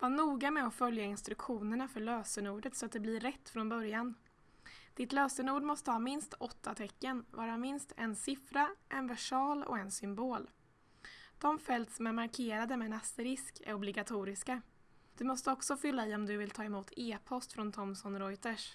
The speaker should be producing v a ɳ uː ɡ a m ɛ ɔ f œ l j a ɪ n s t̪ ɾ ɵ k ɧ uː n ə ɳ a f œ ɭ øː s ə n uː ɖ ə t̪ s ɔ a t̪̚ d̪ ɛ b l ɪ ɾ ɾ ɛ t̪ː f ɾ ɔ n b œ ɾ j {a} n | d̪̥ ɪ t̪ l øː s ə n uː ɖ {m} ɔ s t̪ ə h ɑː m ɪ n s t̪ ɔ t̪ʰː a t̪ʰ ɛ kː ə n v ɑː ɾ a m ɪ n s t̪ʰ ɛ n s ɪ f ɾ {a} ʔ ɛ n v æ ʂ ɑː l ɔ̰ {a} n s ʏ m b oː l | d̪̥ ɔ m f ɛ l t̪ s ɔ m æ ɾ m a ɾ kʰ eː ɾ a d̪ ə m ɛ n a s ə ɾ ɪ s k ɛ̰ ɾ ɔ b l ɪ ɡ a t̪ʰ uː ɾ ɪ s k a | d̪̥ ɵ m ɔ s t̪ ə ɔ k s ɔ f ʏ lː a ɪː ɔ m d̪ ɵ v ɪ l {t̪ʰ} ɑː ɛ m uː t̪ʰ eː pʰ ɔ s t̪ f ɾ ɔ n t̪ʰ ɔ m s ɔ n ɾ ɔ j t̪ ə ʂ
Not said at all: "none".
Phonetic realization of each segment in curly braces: a, m, a, ɛ, t̪ʰ

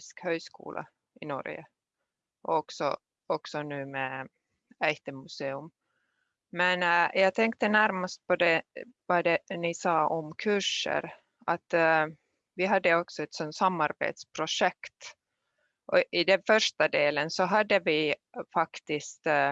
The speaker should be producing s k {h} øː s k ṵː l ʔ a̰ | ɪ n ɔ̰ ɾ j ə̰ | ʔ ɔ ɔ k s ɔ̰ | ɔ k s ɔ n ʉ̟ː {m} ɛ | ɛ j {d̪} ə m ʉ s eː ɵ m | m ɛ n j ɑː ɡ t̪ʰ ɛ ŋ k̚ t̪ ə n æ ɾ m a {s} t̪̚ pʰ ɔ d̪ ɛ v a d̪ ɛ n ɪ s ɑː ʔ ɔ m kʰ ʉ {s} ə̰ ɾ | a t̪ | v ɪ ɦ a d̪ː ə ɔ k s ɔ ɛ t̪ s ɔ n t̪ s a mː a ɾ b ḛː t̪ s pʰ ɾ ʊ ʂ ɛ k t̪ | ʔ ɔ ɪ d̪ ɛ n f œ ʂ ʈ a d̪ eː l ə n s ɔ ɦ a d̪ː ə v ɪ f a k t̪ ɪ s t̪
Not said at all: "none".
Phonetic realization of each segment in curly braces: h, m, t̪, s, ʂ

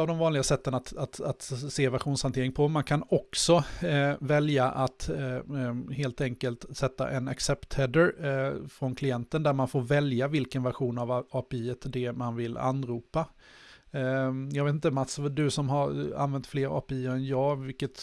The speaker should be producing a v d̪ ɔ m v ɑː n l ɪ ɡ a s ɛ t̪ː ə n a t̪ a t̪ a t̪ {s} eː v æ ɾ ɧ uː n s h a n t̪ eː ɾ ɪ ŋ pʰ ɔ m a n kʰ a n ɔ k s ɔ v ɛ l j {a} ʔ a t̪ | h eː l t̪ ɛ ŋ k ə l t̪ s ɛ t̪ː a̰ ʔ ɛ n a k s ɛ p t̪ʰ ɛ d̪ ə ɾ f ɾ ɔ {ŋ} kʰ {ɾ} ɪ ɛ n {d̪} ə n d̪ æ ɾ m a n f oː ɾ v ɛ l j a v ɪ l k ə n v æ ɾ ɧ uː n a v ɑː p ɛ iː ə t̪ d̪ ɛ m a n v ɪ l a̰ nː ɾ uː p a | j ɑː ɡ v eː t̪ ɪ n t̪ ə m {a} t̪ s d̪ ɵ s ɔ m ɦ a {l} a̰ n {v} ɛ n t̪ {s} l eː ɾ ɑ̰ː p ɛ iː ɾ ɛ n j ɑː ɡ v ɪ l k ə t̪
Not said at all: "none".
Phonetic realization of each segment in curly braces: s, a, n, l, t̪, a, ɾ, v, f

